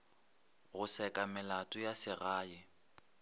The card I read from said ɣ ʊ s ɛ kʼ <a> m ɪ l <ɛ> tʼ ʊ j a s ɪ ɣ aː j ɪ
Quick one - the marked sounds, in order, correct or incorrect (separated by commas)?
correct, incorrect